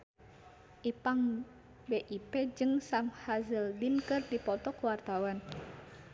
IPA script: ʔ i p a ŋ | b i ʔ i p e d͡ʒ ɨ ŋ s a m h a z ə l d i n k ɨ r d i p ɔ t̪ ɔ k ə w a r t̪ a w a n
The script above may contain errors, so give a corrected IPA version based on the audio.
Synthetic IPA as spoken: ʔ i p a ŋ | b e ʔ i p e d͡ʒ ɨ ŋ s a m h a z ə l d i n k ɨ r d i p ɔ t̪ ɔ k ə w a r t̪ a w a n